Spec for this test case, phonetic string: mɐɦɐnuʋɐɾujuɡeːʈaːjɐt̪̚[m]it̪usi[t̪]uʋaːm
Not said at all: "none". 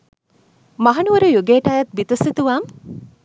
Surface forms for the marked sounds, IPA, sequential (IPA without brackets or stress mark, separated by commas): b, t̪